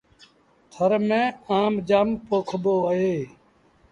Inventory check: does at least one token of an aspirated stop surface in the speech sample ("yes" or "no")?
yes